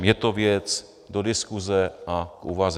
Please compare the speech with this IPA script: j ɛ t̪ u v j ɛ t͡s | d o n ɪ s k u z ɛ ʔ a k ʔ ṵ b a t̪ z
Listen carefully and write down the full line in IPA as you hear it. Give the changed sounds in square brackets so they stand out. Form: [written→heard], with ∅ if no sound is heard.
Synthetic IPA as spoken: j ɛ t̪ [u→o] v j ɛ t͡s | d o [n→d] ɪ s k u z ɛ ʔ a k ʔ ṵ [b→v] a [t̪→∅] z